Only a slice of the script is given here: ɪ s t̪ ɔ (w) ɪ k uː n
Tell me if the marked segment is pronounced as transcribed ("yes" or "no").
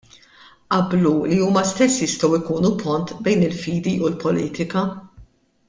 yes